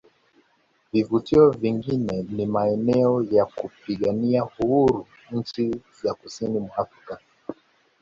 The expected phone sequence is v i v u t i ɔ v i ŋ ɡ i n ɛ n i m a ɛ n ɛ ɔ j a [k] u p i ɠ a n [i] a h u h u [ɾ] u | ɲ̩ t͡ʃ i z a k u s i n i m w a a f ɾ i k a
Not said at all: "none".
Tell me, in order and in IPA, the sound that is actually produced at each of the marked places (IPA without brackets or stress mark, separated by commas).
k, i, ɾ